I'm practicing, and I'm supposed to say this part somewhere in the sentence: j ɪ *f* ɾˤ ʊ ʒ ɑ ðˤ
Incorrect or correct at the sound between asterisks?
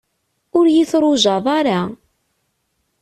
incorrect: θ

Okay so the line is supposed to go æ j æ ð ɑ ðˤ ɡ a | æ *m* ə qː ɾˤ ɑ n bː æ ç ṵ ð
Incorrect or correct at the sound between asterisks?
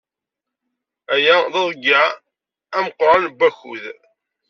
correct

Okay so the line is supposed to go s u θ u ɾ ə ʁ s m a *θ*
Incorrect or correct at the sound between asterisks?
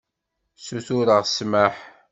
incorrect: ħ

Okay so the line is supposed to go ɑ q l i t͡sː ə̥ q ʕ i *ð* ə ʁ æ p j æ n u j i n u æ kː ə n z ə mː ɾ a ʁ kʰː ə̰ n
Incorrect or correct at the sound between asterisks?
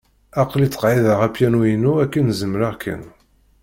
correct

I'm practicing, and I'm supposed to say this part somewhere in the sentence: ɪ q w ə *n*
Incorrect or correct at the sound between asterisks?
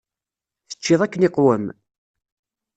incorrect: m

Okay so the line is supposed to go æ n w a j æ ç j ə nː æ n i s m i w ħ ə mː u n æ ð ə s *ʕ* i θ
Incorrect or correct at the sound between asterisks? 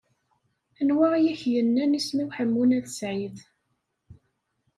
correct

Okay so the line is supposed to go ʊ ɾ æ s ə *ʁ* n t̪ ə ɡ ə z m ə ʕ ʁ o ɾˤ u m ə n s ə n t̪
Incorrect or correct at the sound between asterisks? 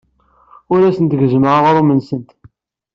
incorrect: none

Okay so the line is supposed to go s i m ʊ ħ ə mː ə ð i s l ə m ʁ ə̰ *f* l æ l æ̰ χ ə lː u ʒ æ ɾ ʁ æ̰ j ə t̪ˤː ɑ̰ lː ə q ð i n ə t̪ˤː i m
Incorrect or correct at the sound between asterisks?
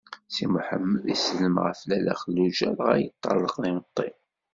correct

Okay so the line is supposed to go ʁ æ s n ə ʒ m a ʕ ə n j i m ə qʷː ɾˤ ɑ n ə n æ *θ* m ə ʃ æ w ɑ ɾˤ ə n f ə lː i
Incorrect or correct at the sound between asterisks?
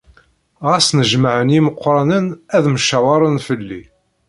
incorrect: ð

